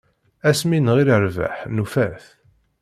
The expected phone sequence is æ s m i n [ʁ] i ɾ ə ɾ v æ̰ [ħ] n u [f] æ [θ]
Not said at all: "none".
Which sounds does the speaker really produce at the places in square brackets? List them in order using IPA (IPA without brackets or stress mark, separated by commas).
ʁ, ħ, f, θ